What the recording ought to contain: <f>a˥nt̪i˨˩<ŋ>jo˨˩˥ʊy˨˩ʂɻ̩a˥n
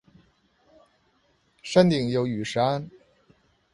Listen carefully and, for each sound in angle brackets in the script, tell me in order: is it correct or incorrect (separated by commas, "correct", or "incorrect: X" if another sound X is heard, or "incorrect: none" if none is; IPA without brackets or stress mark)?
incorrect: ʂ, correct